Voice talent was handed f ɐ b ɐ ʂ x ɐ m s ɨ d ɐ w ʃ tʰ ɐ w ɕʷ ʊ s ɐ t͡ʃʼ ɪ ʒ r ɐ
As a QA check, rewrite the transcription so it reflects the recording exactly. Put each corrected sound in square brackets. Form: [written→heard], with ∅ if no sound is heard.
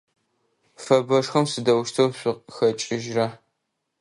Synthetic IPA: f ɐ b ɐ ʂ x ɐ m s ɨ d ɐ w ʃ tʰ ɐ w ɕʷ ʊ [s→x] ɐ t͡ʃʼ ɪ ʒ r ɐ